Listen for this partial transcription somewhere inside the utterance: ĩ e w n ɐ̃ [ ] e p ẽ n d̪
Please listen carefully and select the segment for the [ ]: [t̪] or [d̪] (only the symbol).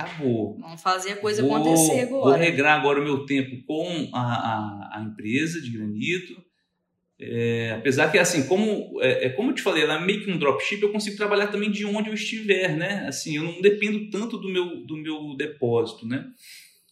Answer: d̪